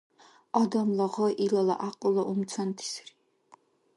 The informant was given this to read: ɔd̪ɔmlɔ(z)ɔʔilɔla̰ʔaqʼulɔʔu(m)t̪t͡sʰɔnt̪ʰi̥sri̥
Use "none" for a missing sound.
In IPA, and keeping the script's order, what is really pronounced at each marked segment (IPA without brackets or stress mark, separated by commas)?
ʁ, m